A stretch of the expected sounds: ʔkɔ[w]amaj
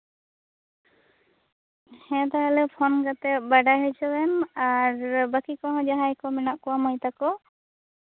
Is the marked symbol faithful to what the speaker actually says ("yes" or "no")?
yes